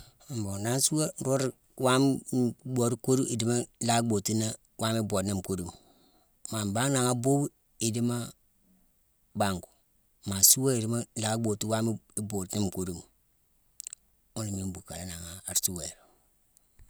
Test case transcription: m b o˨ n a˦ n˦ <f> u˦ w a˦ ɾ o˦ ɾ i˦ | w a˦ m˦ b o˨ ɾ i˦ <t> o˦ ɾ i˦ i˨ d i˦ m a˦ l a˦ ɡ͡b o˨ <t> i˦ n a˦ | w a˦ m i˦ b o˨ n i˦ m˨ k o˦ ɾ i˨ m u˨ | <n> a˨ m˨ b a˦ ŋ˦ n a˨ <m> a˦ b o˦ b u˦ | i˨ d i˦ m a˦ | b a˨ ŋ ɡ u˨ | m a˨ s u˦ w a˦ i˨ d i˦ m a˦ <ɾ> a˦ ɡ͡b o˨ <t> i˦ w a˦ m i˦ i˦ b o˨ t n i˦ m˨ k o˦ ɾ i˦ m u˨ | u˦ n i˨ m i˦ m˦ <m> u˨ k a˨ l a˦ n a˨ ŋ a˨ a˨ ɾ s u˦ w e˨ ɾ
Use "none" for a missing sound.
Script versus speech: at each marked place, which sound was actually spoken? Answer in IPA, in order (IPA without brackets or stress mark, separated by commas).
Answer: s, k, t, m, ŋ, l, t, b